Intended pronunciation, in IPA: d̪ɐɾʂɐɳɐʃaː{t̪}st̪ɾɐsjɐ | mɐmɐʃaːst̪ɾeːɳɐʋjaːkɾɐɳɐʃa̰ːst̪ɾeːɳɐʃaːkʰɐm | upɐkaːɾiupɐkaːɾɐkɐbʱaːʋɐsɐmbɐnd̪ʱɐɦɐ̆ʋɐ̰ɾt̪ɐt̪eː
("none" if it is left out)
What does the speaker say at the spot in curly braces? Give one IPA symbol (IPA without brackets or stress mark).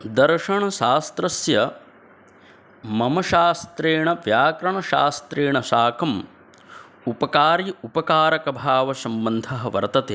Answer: none